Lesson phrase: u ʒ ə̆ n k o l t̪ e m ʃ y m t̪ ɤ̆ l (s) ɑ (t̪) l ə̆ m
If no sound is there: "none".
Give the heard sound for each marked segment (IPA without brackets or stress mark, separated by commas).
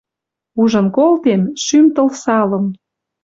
s, none